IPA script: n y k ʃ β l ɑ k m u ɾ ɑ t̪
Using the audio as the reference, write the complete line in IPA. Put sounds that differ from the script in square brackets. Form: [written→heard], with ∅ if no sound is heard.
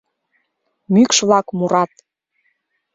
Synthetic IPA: [n→m] y k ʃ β l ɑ k m u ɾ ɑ t̪